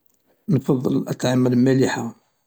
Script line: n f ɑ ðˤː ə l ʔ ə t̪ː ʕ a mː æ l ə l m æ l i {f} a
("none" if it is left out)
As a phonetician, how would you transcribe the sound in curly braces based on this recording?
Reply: ħ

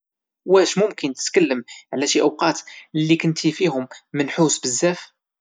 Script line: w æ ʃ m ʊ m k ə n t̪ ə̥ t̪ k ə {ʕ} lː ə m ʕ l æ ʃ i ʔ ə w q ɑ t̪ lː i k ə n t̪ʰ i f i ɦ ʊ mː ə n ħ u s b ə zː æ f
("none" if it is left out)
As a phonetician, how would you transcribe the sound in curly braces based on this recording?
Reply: none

